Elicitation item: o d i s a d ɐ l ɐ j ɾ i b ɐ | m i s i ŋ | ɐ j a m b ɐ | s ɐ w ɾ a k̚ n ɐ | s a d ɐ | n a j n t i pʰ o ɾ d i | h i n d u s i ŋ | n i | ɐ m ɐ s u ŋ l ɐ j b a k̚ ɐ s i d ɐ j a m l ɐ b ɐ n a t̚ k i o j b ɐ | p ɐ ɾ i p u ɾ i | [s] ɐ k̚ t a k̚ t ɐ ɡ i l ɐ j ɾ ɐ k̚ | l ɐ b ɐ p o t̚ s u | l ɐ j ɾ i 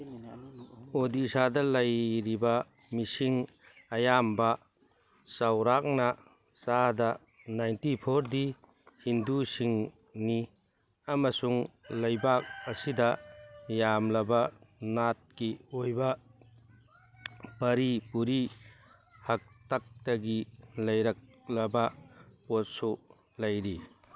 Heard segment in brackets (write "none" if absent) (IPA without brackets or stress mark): h